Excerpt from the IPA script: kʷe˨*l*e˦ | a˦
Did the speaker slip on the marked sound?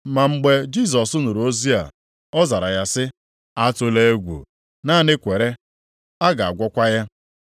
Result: yes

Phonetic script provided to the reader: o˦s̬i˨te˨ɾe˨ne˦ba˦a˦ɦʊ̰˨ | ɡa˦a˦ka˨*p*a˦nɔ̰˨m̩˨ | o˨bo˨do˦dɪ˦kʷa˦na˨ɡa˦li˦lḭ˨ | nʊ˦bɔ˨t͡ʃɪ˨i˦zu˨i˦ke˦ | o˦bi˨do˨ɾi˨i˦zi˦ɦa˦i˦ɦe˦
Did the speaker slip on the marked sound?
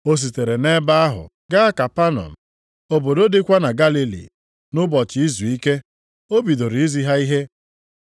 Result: no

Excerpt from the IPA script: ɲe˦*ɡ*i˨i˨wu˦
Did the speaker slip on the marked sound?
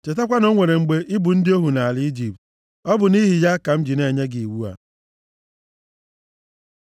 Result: no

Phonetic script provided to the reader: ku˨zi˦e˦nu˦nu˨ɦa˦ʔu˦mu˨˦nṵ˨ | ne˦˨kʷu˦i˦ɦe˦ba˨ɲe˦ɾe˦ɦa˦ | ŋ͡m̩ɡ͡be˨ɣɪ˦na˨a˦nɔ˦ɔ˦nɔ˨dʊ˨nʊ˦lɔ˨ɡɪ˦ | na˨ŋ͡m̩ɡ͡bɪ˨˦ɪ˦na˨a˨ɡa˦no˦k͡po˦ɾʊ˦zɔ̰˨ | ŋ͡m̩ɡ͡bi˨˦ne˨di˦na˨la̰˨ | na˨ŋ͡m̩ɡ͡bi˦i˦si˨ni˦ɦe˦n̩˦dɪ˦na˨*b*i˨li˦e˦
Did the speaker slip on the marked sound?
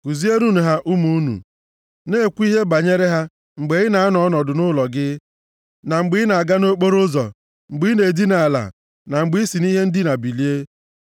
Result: no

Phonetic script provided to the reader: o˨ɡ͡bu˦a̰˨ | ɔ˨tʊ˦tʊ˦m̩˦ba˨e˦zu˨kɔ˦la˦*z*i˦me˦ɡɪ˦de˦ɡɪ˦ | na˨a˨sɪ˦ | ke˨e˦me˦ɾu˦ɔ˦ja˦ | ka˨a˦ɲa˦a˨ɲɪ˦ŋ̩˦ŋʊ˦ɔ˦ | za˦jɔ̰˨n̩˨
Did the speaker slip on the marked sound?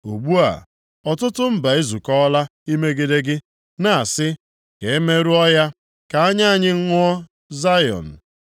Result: yes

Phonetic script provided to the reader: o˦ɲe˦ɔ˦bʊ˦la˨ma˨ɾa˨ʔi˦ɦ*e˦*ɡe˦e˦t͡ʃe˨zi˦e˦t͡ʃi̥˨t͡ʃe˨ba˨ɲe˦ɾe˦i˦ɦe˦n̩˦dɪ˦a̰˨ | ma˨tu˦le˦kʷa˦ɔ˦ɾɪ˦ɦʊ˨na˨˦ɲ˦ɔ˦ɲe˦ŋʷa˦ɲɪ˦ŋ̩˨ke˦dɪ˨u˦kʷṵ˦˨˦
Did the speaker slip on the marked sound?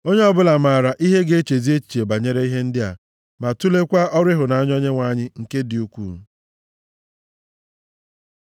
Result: no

